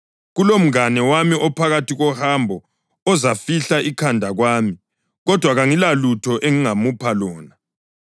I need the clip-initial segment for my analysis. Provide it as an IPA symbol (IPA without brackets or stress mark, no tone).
ɣ